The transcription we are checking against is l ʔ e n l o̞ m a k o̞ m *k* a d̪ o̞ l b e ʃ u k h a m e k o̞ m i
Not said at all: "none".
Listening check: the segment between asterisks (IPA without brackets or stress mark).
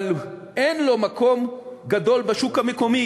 ɡ